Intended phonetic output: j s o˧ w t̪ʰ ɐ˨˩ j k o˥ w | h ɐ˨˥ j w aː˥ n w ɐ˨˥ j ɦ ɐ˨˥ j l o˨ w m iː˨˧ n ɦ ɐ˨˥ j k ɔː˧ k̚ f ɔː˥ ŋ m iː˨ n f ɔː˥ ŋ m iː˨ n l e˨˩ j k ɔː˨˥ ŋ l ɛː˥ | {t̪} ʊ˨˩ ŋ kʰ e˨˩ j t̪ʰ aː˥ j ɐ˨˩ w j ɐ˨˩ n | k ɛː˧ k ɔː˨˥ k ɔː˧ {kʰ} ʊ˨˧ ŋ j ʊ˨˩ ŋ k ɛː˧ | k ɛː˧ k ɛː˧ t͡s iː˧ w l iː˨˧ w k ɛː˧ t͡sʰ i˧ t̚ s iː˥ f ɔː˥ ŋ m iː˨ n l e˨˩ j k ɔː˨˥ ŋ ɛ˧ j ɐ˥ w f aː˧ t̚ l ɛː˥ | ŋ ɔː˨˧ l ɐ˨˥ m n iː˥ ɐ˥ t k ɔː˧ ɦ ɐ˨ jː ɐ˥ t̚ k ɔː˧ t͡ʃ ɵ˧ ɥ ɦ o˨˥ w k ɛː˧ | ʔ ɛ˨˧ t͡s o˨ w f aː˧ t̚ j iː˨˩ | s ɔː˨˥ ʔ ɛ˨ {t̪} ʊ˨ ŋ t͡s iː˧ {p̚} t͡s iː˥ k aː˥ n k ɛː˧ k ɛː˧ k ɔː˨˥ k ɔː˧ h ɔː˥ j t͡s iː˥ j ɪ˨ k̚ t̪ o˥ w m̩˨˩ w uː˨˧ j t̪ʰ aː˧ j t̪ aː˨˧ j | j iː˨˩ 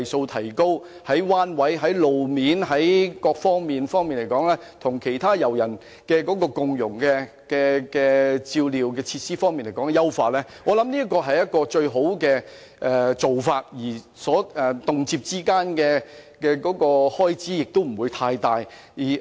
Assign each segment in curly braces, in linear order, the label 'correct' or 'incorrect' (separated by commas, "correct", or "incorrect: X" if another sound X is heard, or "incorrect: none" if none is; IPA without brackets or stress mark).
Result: incorrect: t̪ʰ, incorrect: k, correct, correct